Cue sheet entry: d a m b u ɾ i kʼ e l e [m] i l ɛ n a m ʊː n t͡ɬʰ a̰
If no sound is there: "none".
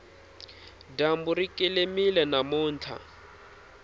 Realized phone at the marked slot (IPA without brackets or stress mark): m